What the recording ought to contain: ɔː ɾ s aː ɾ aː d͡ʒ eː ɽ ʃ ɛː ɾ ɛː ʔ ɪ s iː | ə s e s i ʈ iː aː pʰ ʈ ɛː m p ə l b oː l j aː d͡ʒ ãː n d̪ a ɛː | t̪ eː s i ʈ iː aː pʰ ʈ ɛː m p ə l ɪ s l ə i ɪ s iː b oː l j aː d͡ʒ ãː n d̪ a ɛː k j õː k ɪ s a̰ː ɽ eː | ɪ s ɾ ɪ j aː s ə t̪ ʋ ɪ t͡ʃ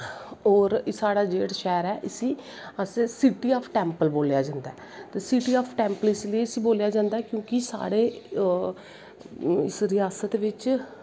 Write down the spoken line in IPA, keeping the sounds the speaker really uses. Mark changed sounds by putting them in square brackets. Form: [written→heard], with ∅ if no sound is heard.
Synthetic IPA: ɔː ɾ s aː [ɾ→ɽ] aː d͡ʒ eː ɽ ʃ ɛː ɾ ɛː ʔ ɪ s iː | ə s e s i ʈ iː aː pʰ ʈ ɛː m p ə l b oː l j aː d͡ʒ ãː n d̪ a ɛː | t̪ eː s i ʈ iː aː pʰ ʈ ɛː m p ə l ɪ s l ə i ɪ s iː b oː l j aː d͡ʒ ãː n d̪ a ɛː k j õː k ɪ s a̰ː ɽ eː | ɪ s ɾ ɪ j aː s ə t̪ ʋ ɪ t͡ʃ